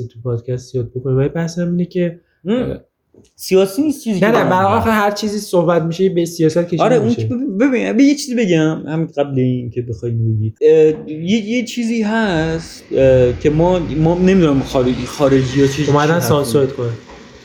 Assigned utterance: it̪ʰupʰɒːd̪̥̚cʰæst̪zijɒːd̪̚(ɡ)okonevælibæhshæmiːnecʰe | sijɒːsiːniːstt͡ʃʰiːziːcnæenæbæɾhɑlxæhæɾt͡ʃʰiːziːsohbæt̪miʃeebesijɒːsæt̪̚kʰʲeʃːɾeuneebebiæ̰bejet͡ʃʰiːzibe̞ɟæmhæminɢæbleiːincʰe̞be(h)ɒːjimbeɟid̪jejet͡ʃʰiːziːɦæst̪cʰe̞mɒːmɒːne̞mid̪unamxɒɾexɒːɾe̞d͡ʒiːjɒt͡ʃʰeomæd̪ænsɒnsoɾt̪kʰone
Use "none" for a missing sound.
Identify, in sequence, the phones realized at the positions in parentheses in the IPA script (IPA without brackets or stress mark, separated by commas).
b, x